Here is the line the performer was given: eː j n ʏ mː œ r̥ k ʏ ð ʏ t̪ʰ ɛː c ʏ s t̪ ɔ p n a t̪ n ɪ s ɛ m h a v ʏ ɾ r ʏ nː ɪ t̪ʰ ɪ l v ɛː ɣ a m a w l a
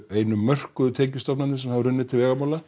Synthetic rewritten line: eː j n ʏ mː œ r̥ k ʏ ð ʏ t̪ʰ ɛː c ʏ s t̪ ɔ p n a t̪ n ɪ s ɛ m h a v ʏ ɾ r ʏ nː ɪ t̪ʰ ɪ l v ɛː ɣ a m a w l a